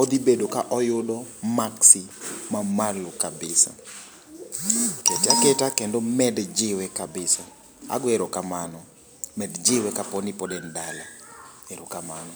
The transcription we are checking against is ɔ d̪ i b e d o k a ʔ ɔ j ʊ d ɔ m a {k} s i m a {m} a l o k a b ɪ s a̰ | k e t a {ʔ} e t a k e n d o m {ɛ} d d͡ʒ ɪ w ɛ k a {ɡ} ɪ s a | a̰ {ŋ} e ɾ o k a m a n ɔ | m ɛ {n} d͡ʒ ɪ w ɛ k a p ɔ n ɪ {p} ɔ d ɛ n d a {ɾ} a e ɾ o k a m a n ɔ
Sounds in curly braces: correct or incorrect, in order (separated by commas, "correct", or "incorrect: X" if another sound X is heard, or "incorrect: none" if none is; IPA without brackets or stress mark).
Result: correct, correct, incorrect: k, correct, incorrect: b, incorrect: ɡ, incorrect: d, correct, incorrect: l